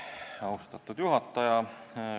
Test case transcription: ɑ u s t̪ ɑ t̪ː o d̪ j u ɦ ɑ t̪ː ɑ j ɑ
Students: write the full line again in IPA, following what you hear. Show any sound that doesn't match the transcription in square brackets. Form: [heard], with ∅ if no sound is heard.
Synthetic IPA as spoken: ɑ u s t̪ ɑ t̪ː [u] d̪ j u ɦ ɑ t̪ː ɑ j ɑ